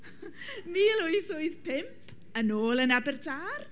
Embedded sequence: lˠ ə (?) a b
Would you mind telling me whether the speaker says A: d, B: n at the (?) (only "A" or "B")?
B